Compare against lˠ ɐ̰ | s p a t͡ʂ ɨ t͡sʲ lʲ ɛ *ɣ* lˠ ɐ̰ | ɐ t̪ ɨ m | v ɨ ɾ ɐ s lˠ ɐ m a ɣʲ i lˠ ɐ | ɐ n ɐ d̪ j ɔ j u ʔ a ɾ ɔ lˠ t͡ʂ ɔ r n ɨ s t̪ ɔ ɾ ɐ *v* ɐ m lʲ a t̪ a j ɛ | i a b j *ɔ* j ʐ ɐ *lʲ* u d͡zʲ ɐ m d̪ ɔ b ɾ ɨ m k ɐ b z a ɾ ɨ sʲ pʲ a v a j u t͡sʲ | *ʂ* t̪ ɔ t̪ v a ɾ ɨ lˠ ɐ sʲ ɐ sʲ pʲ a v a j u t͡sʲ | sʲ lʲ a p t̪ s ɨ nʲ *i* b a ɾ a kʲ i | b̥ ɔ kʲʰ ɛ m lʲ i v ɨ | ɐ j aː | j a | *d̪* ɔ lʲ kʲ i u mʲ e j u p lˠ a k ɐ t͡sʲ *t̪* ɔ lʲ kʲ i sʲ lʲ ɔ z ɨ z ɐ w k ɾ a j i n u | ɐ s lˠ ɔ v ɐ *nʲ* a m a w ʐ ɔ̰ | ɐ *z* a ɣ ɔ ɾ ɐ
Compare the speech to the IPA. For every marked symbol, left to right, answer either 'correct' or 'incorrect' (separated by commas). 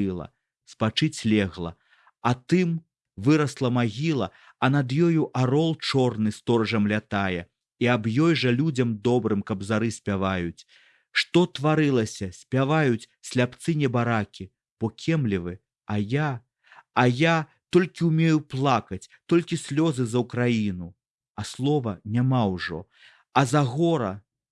correct, incorrect, correct, correct, correct, incorrect, incorrect, correct, correct, correct